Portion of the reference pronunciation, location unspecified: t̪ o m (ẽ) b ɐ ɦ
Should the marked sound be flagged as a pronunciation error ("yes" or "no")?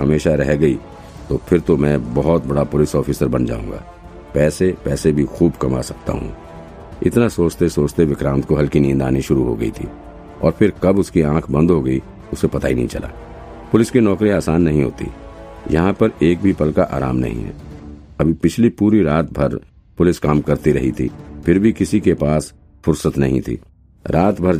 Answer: yes